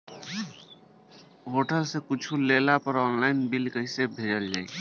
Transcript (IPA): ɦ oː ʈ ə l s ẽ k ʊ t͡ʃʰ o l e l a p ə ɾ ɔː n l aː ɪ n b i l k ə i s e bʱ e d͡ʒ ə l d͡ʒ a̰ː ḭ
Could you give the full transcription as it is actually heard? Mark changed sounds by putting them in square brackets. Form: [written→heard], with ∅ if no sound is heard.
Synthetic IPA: ɦ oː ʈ ə l s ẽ k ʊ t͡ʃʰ [o→u] l e l a p ə ɾ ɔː n l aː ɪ n b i l k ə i s e bʱ e d͡ʒ ə l d͡ʒ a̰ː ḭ